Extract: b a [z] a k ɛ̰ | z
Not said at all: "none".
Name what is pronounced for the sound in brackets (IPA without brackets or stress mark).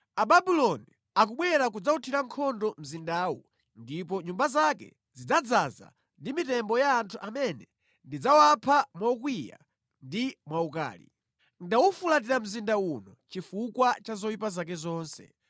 z